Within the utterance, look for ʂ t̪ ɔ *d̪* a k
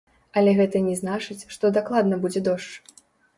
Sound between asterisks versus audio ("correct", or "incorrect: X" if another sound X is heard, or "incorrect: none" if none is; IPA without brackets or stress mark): correct